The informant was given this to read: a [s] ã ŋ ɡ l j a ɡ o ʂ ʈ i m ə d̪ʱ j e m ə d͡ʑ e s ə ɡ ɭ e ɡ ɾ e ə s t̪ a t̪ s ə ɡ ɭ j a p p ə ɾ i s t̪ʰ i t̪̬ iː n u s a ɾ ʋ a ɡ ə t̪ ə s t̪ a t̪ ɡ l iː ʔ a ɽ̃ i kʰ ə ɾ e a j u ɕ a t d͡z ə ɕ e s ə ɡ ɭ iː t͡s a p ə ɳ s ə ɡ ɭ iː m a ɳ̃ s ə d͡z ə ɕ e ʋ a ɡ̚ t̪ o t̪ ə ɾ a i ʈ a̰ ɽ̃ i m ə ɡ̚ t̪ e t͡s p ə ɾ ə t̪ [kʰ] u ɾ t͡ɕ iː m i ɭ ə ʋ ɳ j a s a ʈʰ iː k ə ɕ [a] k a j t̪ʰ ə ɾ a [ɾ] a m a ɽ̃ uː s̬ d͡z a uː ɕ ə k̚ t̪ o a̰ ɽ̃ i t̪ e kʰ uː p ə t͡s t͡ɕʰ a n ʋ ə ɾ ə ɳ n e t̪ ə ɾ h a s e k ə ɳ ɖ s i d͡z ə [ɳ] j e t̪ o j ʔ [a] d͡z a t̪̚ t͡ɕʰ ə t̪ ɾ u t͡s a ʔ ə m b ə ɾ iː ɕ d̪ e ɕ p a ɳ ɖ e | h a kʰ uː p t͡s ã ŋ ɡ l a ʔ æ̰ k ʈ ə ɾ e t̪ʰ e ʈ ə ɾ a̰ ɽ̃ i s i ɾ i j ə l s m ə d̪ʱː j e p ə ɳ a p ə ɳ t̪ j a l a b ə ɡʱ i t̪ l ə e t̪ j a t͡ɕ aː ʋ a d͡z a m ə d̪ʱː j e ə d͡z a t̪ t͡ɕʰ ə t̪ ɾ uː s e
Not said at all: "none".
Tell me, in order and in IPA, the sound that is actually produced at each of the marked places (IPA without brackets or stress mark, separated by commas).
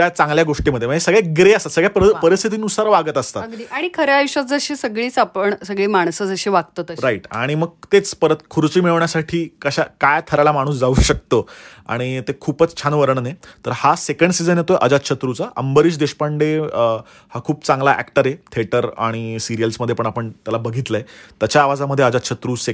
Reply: t͡s, kʰ, a, l, n, ə